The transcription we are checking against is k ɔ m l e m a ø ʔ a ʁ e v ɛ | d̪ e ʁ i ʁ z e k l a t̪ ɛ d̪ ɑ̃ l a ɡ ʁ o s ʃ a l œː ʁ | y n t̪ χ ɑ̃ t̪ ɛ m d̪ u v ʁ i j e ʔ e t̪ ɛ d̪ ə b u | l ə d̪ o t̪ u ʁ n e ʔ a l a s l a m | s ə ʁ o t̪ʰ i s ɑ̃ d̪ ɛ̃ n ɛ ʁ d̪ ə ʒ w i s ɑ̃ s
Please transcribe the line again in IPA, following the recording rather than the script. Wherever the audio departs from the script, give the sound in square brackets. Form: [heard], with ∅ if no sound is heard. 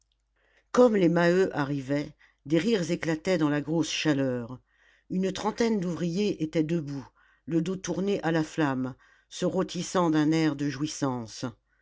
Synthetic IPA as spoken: k ɔ m l e m a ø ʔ a ʁ [i] v ɛ | d̪ e ʁ i ʁ z e k l a t̪ ɛ d̪ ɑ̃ l a ɡ ʁ o s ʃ a l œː ʁ | y n t̪ χ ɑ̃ t̪ ɛ [n] d̪ u v ʁ i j e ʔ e t̪ ɛ d̪ ə b u | l ə d̪ o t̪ u ʁ n e ʔ a l a [f] l a m | s ə ʁ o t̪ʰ i s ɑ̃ d̪ ɛ̃ n ɛ ʁ d̪ ə ʒ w i s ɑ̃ s